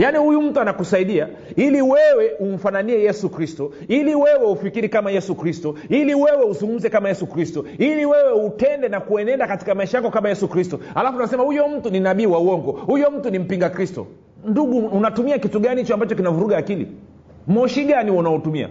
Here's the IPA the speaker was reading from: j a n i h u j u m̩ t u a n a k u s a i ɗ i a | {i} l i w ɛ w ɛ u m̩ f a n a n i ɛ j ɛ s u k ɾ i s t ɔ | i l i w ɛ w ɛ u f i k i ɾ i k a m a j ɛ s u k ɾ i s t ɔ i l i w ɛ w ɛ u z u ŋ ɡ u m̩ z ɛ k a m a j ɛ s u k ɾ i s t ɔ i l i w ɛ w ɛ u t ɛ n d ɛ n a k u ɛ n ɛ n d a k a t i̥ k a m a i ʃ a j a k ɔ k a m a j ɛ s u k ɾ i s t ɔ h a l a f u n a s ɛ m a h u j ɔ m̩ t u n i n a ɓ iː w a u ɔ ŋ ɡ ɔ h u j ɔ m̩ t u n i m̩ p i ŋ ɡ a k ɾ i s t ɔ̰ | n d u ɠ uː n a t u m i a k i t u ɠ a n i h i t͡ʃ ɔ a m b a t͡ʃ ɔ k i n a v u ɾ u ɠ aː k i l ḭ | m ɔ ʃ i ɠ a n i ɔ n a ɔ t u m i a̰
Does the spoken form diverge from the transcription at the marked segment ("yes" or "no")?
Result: no